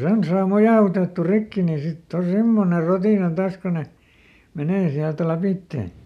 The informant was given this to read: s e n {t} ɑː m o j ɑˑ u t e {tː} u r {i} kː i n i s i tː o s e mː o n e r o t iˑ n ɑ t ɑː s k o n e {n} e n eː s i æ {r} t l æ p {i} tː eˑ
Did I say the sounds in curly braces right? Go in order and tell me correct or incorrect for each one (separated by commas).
incorrect, correct, correct, incorrect, incorrect, correct